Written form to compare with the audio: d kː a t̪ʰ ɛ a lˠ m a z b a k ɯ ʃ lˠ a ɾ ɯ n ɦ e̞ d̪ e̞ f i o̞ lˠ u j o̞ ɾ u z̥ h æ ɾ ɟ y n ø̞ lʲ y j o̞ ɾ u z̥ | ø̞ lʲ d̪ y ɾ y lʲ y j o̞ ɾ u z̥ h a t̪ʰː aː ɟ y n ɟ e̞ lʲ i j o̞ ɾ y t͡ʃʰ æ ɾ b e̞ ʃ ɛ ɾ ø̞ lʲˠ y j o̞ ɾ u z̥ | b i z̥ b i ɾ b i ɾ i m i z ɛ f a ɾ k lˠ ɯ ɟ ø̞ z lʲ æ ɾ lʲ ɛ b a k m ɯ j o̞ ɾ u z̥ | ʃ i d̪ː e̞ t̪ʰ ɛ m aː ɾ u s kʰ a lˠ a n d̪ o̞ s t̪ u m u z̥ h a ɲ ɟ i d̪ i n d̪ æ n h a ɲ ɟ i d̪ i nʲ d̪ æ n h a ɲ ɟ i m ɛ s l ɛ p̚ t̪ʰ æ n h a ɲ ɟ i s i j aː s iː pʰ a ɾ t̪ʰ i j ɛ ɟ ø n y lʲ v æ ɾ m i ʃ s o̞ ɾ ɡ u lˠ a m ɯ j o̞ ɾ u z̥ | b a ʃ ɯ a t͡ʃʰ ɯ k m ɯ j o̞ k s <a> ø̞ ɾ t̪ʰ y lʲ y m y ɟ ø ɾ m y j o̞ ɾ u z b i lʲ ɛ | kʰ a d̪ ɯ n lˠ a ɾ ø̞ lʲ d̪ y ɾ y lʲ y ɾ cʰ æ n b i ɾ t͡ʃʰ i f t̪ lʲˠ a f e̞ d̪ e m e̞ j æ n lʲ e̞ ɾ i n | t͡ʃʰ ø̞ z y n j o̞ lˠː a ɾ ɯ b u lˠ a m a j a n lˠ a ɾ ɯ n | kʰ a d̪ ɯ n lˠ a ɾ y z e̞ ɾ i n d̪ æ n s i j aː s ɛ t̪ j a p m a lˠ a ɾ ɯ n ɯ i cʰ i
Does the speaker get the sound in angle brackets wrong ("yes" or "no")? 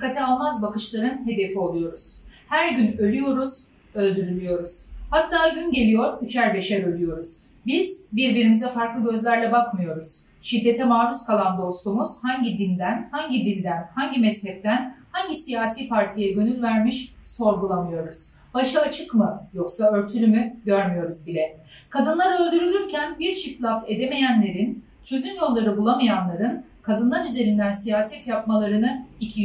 no